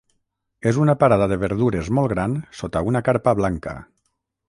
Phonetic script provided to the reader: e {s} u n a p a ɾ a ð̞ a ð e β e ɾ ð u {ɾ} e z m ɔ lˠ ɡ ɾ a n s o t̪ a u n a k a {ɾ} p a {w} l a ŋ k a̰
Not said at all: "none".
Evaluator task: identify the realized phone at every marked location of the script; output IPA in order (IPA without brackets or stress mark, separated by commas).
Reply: z, ɾ, ɾ, β